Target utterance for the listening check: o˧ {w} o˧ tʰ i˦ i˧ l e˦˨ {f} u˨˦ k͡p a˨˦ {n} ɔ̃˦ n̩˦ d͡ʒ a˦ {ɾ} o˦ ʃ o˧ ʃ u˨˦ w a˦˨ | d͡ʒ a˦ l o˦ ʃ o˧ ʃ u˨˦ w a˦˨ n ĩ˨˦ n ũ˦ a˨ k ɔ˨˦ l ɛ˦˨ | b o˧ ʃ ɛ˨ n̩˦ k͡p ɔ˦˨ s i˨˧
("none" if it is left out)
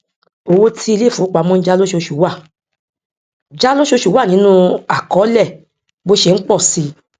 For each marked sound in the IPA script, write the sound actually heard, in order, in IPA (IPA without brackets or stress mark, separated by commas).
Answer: w, f, m, l